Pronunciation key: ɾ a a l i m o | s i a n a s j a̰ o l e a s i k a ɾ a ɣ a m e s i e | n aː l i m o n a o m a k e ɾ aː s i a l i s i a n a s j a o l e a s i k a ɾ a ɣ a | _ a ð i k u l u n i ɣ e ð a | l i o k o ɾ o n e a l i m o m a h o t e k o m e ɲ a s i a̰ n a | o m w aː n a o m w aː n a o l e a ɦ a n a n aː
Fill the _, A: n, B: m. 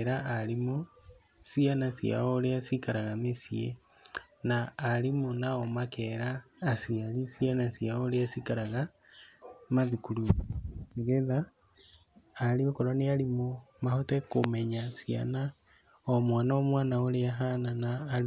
B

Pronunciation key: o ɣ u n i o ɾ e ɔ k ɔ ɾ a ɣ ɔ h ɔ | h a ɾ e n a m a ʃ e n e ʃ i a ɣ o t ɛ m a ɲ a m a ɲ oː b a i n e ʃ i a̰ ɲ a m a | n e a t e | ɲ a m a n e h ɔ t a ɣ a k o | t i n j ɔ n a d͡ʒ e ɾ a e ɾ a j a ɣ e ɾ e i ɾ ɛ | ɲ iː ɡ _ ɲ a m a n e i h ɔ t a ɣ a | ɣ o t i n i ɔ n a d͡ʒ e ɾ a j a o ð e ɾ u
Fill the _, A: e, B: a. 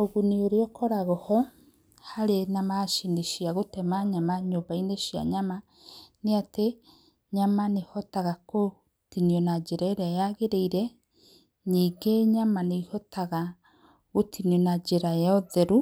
A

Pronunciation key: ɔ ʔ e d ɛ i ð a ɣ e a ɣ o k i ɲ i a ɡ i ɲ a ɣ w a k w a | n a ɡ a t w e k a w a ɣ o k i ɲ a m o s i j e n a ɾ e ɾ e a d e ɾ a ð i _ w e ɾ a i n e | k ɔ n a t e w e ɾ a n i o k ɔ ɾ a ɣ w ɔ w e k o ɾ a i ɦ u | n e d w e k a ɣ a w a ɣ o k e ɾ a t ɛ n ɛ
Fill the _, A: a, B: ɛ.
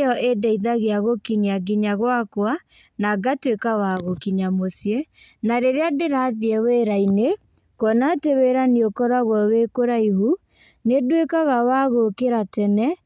B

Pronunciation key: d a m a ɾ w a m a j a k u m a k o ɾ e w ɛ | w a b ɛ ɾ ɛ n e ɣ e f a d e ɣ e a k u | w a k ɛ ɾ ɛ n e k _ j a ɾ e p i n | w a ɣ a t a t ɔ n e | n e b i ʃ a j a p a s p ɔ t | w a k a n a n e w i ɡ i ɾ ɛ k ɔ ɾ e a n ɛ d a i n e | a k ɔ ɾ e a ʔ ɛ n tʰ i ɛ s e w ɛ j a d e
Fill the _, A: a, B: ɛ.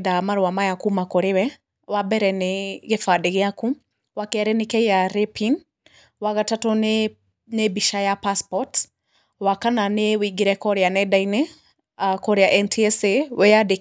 B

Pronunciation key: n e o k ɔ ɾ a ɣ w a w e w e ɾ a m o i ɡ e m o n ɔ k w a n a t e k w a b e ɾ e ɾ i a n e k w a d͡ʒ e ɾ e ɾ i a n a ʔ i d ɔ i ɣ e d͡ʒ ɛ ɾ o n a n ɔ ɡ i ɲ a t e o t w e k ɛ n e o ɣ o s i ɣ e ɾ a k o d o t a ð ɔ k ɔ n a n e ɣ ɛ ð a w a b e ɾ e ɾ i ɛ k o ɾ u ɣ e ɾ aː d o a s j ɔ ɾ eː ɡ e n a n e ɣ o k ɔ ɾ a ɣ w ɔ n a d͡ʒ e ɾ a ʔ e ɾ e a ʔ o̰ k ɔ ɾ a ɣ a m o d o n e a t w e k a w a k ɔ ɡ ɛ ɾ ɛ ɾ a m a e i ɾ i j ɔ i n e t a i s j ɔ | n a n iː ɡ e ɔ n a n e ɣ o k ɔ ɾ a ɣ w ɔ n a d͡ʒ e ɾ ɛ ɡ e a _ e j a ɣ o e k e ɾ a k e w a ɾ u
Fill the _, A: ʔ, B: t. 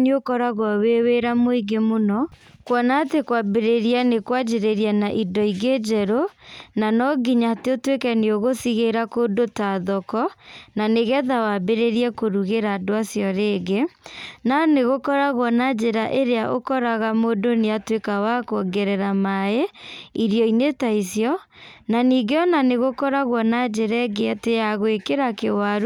B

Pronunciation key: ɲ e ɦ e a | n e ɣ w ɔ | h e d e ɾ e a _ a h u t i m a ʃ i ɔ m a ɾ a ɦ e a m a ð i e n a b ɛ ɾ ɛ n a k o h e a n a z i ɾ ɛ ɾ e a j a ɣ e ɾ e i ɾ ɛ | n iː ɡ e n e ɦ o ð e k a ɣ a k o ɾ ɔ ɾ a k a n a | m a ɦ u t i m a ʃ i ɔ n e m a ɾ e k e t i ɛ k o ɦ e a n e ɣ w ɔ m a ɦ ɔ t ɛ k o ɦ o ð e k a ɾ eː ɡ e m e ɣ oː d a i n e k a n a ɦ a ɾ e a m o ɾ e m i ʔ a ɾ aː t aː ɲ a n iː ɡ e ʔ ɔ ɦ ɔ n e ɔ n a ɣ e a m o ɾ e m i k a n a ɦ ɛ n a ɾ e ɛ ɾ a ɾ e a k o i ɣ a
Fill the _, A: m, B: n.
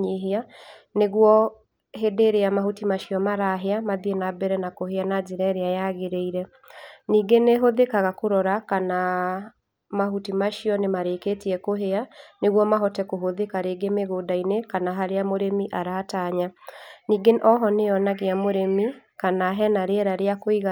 A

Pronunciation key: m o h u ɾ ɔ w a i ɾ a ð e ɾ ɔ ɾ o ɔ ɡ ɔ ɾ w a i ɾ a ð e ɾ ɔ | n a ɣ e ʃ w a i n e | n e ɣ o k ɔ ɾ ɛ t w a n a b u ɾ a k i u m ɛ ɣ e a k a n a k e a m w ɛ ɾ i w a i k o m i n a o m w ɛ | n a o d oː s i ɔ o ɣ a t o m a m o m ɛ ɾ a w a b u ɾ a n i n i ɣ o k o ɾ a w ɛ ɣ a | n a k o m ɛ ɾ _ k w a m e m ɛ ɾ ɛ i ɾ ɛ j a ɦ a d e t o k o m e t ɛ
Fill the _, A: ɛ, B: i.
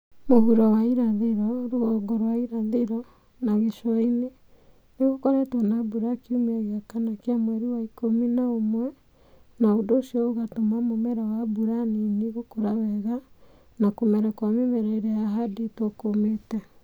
A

